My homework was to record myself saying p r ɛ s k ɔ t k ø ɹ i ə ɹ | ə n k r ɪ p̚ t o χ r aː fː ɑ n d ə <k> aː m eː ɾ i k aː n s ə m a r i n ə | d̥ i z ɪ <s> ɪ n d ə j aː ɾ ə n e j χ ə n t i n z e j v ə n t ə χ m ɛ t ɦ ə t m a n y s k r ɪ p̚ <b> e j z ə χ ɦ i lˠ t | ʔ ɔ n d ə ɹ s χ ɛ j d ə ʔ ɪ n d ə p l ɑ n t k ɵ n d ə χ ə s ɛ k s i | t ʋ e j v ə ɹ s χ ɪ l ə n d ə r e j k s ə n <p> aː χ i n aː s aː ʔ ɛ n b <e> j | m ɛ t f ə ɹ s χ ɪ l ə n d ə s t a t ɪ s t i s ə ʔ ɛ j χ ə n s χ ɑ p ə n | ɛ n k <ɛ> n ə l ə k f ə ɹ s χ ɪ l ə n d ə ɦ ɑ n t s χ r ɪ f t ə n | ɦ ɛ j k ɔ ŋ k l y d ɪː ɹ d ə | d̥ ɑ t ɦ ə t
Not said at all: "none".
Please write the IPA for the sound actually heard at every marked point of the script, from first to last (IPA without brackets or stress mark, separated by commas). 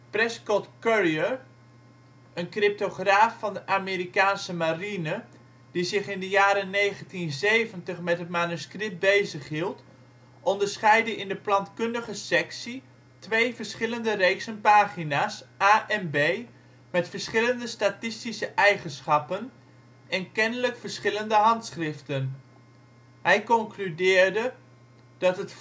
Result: ʔ, χ, b, p, e, ɛ